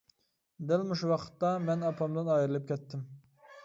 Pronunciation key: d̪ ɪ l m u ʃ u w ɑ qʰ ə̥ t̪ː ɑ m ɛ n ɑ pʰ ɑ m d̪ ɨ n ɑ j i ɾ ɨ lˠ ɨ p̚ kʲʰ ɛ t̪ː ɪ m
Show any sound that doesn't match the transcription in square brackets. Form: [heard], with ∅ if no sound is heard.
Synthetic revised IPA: d̪ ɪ l m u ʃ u w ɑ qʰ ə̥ t̪ː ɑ m ɛ n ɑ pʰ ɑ m d̪ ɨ n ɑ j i ɾ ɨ lˠ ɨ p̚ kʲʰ ɛ t̪ː ɪ m